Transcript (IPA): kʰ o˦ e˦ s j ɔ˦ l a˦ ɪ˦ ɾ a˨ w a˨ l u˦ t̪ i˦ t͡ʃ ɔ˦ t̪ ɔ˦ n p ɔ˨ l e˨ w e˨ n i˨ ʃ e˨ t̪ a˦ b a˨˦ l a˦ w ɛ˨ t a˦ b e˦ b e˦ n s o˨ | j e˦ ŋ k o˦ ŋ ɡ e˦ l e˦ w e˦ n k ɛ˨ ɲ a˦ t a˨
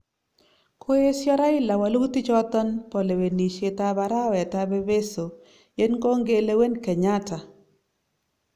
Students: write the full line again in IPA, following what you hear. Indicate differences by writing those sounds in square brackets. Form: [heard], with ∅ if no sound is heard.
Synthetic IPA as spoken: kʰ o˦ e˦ s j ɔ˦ [ɾ] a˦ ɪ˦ [l] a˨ w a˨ l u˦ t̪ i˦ t͡ʃ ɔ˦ t̪ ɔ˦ n p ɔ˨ l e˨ w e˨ n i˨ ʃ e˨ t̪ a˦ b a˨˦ [ɾ] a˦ w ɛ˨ t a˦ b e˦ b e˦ [∅] s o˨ | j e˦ [n] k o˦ ŋ ɡ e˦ l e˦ w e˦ n k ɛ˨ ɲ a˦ t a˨